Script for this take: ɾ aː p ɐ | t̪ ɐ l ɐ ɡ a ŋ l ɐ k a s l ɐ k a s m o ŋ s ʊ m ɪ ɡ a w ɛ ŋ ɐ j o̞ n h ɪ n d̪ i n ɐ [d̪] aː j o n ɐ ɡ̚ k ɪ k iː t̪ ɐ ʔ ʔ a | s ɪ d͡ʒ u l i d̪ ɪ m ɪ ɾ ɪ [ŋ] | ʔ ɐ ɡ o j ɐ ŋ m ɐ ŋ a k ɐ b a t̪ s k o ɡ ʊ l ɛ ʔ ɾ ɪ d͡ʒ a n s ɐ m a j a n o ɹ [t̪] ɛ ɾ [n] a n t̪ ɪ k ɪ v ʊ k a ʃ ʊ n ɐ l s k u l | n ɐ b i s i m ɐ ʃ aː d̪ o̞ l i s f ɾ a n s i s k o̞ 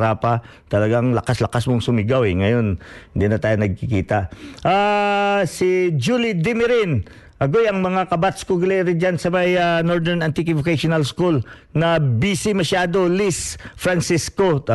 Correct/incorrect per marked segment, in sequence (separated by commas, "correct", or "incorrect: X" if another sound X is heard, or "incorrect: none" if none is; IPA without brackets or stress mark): incorrect: t̪, incorrect: n, incorrect: d̪, correct